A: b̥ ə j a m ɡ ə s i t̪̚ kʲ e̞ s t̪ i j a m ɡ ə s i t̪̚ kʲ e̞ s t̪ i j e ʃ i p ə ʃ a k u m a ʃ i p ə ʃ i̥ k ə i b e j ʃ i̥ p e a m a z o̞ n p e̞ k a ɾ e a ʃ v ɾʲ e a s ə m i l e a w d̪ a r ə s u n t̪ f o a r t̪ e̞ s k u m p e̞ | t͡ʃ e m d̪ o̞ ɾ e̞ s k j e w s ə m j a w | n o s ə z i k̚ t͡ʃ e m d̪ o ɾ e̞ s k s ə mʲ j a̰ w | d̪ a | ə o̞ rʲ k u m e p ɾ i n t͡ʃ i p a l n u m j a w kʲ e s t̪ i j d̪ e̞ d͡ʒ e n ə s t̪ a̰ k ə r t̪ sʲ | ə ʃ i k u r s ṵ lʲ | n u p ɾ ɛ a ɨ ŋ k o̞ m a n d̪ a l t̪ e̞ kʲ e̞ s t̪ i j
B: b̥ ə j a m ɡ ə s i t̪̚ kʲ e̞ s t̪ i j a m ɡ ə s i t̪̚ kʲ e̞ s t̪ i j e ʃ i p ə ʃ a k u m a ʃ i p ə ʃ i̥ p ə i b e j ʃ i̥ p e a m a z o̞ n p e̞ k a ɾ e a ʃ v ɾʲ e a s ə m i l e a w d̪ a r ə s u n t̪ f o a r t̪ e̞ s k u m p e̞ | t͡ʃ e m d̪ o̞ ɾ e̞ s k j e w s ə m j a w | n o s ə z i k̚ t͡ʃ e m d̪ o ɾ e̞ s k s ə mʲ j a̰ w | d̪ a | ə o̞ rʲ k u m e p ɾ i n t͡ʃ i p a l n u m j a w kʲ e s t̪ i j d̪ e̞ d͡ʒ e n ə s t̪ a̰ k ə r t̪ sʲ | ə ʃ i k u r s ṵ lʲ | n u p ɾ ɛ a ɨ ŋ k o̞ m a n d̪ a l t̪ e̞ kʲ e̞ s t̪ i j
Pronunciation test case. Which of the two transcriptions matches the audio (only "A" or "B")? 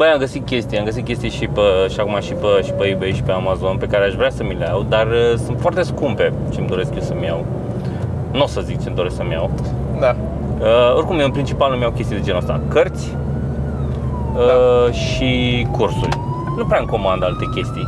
B